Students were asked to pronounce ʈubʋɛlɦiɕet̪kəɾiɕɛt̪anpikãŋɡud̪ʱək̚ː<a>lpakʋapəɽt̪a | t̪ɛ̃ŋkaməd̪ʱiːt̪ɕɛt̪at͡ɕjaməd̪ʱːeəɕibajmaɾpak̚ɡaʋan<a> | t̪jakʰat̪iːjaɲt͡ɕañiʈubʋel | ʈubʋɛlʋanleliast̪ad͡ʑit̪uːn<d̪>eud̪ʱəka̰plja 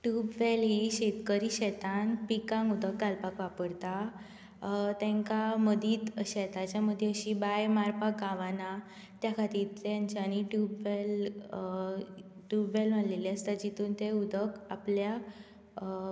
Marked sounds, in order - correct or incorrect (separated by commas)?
correct, correct, incorrect